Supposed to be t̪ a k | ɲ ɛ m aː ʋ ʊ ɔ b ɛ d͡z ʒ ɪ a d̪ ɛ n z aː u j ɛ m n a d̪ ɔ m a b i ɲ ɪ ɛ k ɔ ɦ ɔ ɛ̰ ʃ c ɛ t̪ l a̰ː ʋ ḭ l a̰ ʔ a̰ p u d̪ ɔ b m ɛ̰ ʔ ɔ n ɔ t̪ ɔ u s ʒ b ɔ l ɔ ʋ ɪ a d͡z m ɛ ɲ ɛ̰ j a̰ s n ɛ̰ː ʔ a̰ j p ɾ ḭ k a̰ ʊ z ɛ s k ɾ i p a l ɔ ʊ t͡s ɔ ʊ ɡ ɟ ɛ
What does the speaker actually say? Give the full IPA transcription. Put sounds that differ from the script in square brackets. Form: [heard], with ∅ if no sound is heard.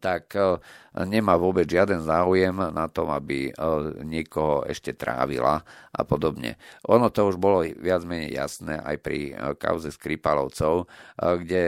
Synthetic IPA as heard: t̪ a k | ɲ ɛ m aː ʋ ʊ ɔ b ɛ d͡z ʒ ɪ a d̪ ɛ n z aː u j ɛ m n a [t̪] ɔ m a b i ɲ ɪ ɛ k ɔ ɦ ɔ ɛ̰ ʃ c ɛ t̪ [ɾ] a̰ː ʋ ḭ l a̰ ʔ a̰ p [ɔ] d̪ ɔ b [ɲ] ɛ̰ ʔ ɔ n ɔ t̪ ɔ u [∅] ʒ b ɔ l ɔ ʋ ɪ a d͡z m ɛ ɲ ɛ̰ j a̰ s n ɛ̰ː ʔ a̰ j p ɾ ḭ k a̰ ʊ z ɛ s k ɾ i p a l ɔ ʊ t͡s ɔ ʊ ɡ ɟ ɛ